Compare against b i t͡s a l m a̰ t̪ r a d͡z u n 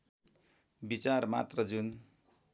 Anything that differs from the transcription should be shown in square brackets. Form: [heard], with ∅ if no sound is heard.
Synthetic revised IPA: b i t͡s a [r] m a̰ t̪ r [ʌ] d͡z u n